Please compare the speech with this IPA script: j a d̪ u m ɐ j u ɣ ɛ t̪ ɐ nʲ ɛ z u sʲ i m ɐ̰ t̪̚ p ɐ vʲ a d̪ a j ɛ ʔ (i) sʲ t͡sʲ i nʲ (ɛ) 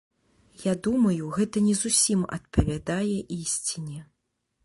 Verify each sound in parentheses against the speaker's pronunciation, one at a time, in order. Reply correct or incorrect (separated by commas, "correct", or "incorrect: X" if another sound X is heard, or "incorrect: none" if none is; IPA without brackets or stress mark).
correct, correct